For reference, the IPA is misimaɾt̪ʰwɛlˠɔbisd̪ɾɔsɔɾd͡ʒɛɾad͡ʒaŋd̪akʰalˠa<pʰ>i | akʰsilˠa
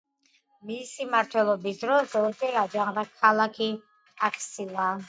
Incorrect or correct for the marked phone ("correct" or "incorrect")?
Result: incorrect